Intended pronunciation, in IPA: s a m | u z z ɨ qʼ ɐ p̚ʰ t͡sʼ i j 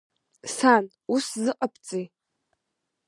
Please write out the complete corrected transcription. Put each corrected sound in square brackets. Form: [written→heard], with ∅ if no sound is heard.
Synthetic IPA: s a [m→n] | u [z→s] z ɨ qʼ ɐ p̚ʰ t͡sʼ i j